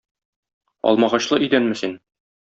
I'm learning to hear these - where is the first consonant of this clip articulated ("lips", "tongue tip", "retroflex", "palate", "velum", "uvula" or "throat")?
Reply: tongue tip